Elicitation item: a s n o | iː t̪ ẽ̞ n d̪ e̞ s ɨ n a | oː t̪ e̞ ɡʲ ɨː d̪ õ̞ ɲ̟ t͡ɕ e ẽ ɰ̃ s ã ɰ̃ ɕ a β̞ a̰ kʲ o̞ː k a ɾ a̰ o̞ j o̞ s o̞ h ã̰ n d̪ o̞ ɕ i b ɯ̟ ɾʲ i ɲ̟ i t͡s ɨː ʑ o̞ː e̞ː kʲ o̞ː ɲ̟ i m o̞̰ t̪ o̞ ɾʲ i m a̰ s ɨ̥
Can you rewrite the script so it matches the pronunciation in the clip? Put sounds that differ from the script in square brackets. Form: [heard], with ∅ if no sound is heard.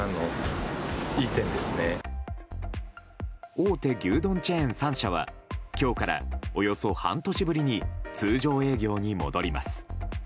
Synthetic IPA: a [∅] n o | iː t̪ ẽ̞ n d̪ e̞ s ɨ n [e] | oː t̪ e̞ ɡʲ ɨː d̪ õ̞ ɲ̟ t͡ɕ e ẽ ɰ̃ s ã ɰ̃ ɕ a β̞ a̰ kʲ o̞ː k a ɾ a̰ o̞ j o̞ s o̞ h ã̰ n [t̪] o̞ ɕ i b ɯ̟ ɾʲ i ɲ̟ i t͡s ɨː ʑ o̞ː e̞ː [ɡʲ] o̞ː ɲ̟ i m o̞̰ [d̪] o̞ ɾʲ i m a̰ s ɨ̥